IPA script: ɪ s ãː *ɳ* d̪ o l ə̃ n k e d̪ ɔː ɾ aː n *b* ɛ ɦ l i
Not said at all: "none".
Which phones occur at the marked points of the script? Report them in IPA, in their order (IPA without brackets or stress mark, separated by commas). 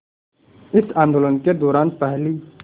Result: n, p